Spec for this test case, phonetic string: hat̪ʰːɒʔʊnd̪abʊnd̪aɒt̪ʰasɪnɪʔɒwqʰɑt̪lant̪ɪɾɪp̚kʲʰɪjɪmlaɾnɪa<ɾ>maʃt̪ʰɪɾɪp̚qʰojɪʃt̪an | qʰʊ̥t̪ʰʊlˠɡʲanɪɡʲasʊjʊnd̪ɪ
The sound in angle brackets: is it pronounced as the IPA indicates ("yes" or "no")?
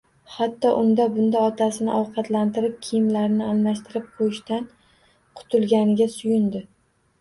no